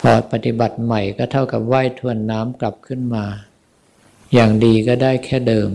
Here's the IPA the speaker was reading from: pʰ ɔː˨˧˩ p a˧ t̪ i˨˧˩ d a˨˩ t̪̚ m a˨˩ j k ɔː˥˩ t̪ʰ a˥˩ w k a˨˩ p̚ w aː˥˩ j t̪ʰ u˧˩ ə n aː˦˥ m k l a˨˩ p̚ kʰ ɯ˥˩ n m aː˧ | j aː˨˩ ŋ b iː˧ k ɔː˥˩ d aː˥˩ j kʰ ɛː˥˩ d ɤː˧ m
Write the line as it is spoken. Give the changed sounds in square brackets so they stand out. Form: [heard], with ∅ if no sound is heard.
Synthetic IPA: pʰ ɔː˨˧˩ p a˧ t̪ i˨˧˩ [b] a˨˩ t̪̚ m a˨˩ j k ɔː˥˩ t̪ʰ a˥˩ w k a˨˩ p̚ w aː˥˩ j t̪ʰ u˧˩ ə [nː] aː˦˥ m k l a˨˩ p̚ kʰ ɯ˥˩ n m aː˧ | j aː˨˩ ŋ [d] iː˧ k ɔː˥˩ d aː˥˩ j kʰ ɛː˥˩ d ɤː˧ m